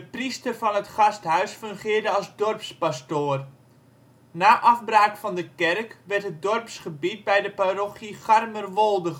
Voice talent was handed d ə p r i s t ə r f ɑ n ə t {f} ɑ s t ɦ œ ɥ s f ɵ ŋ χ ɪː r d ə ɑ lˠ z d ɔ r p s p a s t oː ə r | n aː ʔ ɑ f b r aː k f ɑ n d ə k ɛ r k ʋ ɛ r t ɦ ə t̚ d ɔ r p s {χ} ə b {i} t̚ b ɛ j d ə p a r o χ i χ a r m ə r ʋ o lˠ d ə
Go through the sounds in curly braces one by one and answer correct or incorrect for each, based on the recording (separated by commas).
incorrect, correct, correct